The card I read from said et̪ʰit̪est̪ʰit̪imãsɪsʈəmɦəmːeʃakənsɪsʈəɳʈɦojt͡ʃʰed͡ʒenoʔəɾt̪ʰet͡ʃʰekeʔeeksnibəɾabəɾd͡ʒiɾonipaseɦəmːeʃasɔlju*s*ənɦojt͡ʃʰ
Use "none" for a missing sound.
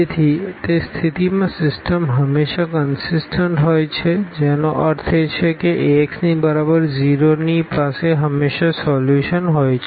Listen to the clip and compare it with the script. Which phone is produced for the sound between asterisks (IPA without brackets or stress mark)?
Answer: ʃ